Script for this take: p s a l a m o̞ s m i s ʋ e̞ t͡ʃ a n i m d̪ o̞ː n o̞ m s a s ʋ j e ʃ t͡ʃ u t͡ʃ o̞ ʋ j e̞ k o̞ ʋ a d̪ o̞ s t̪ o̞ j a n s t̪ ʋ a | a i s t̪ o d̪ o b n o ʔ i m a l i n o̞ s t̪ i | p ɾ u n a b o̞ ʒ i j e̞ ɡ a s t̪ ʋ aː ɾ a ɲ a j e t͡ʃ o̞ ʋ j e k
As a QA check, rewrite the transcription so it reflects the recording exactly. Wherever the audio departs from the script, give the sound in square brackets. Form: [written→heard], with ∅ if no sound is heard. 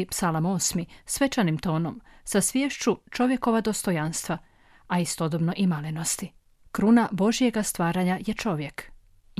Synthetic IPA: p s a l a m o̞ s m i s ʋ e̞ t͡ʃ a n i m [d̪→t̪] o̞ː n o̞ m s a s ʋ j e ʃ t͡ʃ u t͡ʃ o̞ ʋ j e̞ k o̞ ʋ a d̪ o̞ s t̪ o̞ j a n s t̪ ʋ a | a i s t̪ o d̪ o b n o ʔ i m a l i n o̞ s t̪ i | [p→k] ɾ u n a b o̞ ʒ i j e̞ ɡ a s t̪ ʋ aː ɾ a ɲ a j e t͡ʃ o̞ ʋ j e k